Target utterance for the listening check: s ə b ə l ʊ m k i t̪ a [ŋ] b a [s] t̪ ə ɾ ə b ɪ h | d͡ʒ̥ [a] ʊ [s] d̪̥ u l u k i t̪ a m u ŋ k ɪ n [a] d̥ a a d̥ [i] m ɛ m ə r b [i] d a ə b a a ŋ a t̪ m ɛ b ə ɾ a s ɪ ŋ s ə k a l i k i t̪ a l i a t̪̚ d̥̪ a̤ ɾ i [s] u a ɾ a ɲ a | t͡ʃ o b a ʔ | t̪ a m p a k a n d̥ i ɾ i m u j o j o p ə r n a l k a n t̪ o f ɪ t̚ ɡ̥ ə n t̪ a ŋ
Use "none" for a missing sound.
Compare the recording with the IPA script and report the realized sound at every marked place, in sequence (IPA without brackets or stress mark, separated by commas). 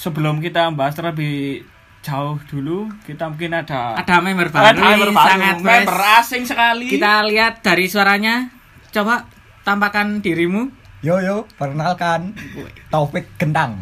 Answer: m, s, a, h, a, a, a, s